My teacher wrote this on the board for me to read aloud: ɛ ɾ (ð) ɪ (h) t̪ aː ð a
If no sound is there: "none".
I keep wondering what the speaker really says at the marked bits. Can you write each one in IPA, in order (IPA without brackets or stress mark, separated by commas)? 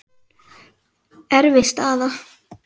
v, s